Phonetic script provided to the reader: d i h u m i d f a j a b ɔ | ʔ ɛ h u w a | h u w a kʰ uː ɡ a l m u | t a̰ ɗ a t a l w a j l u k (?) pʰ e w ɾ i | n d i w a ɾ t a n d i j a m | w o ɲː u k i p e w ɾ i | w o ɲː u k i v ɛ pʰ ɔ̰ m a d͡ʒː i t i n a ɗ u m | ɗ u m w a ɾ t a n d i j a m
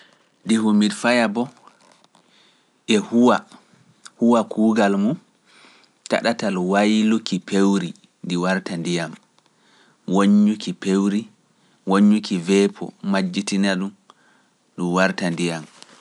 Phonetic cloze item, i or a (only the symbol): i